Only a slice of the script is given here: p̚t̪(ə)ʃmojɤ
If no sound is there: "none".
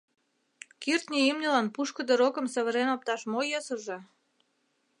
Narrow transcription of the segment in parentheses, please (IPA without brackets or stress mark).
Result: ɑ